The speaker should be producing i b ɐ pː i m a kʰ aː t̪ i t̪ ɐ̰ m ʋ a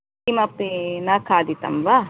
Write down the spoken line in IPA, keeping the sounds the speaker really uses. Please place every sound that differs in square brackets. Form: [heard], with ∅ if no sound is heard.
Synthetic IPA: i [m] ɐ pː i [n] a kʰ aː [d̪] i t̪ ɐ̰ m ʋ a

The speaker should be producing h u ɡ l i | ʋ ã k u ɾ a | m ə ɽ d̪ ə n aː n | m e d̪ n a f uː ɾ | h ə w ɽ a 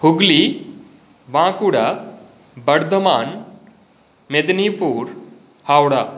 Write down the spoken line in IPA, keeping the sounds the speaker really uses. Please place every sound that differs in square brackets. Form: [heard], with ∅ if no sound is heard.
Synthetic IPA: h u ɡ l i | ʋ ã k u [ɽ] a | [b] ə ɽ d̪ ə [m] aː n | m e d̪ n [i] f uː ɾ | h [a] w ɽ a

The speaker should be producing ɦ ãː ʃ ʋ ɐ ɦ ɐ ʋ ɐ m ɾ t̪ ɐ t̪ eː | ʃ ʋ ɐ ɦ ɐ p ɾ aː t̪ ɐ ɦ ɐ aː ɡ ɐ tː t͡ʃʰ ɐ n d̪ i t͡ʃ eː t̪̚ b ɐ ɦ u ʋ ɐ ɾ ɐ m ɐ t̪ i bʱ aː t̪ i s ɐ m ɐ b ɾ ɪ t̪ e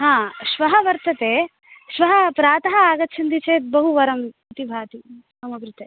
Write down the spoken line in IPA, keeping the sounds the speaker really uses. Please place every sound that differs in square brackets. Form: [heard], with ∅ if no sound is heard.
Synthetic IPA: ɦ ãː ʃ ʋ ɐ ɦ ɐ ʋ ɐ [∅] ɾ t̪ ɐ t̪ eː | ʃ ʋ ɐ ɦ ɐ p ɾ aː t̪ ɐ ɦ ɐ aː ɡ ɐ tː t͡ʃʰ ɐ n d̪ i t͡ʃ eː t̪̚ b ɐ ɦ u ʋ ɐ ɾ ɐ m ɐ t̪ i bʱ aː t̪ i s ɐ m ɐ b ɾ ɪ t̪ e

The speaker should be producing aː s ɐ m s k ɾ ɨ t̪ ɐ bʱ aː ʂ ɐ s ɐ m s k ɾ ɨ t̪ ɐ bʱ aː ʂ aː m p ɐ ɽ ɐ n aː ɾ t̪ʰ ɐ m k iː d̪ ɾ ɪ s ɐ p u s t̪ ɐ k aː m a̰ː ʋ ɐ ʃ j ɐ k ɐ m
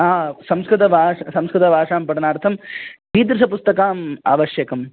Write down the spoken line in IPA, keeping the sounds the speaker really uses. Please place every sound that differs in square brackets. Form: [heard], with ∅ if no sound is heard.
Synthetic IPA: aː s ɐ m s k ɾ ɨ t̪ ɐ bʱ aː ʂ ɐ s ɐ m s k ɾ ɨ t̪ ɐ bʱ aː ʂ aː m p ɐ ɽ ɐ n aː ɾ t̪ʰ ɐ m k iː d̪ ɾ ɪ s ɐ p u s t̪ ɐ k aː m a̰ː ʋ ɐ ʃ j ɐ k ɐ m

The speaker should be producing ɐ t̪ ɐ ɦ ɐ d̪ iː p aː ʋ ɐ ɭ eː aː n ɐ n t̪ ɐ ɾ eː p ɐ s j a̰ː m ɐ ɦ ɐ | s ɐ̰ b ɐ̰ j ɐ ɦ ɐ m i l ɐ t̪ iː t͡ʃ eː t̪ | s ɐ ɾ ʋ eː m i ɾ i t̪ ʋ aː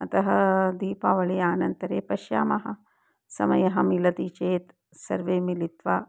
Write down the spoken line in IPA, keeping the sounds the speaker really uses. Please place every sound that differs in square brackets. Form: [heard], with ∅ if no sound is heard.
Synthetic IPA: ɐ t̪ ɐ ɦ ɐ d̪ iː p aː ʋ ɐ ɭ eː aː n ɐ n t̪ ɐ ɾ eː p ɐ [ʃ] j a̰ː m ɐ ɦ ɐ | s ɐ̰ [m] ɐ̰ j ɐ ɦ ɐ m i l ɐ t̪ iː t͡ʃ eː t̪ | s ɐ ɾ ʋ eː m i [l] i t̪ ʋ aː

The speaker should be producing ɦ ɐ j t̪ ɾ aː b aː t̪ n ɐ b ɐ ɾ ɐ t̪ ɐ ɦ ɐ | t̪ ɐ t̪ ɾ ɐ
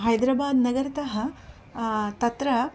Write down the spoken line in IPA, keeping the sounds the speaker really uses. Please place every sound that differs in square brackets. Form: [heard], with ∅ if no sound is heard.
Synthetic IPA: ɦ ɐ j [d̪] ɾ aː b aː [d̪] n ɐ [ɡ] ɐ ɾ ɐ t̪ ɐ ɦ ɐ | t̪ ɐ t̪ ɾ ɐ

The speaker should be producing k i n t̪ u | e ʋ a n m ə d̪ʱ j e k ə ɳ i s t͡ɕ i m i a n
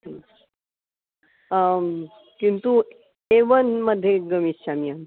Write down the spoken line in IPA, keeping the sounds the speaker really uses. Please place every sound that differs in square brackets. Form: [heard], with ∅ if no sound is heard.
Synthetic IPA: k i n t̪ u | e ʋ [ə] n m ə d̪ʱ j e [ɡ] ə [m] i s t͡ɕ [a] m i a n

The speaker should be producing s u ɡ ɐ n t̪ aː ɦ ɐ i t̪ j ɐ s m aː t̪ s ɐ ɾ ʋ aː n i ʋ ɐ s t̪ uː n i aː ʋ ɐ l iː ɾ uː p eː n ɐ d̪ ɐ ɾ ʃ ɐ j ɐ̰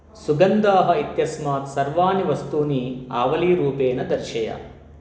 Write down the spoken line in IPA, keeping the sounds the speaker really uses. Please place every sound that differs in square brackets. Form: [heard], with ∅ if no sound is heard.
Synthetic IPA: s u ɡ ɐ n [d̪] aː ɦ ɐ i t̪ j ɐ s m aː t̪ s ɐ ɾ ʋ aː n i ʋ ɐ s t̪ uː n i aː ʋ ɐ l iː ɾ uː p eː n ɐ d̪ ɐ ɾ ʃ ɐ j ɐ̰

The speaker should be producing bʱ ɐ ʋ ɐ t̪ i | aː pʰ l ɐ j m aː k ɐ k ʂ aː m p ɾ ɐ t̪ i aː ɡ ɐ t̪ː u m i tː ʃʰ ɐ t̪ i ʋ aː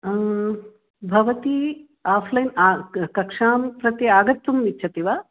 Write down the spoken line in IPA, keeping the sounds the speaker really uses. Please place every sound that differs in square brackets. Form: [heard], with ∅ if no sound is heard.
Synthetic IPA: bʱ ɐ ʋ ɐ t̪ i | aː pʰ l ɐ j [n] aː k ɐ k ʂ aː m p ɾ ɐ t̪ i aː ɡ ɐ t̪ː u m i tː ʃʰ ɐ t̪ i ʋ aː

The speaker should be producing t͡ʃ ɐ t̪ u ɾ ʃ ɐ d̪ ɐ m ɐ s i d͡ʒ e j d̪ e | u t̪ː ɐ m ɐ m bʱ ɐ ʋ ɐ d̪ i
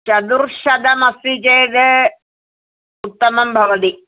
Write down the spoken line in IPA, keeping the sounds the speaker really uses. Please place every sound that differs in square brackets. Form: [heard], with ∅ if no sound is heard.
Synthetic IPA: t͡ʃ ɐ [d̪] u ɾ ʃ ɐ d̪ ɐ m ɐ s i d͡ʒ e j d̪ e | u t̪ː ɐ m ɐ m bʱ ɐ ʋ ɐ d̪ i

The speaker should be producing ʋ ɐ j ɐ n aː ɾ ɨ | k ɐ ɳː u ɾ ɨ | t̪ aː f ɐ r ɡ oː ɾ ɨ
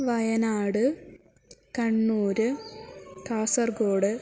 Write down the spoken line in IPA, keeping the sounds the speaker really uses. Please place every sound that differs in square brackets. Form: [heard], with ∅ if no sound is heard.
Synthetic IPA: ʋ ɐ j ɐ n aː [ɽ] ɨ | k ɐ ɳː [uː] ɾ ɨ | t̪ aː [s] ɐ r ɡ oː [ɽ] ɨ

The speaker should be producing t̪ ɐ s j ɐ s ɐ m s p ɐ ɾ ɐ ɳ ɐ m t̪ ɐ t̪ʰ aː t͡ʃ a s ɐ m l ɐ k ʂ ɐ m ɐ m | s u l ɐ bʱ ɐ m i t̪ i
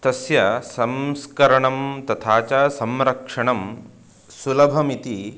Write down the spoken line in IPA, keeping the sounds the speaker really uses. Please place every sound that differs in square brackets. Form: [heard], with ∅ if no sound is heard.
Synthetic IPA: t̪ ɐ s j ɐ s ɐ m s [k] ɐ ɾ ɐ ɳ ɐ m t̪ ɐ t̪ʰ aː t͡ʃ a s ɐ m [ɾ] ɐ k ʂ ɐ [ɳ] ɐ m | s u l ɐ bʱ ɐ m i t̪ i

